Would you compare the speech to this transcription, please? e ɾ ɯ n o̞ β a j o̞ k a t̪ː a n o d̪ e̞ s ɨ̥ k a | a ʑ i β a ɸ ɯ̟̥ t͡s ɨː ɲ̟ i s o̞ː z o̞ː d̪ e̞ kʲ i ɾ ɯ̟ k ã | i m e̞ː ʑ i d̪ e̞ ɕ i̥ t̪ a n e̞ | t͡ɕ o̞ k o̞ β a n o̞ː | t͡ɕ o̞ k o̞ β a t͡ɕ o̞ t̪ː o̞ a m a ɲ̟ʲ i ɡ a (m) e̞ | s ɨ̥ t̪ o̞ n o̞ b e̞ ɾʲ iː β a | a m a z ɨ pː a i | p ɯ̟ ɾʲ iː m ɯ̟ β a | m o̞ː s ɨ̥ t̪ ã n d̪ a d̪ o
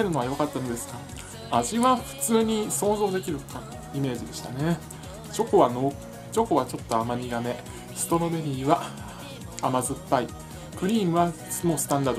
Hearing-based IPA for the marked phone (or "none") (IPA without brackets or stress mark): m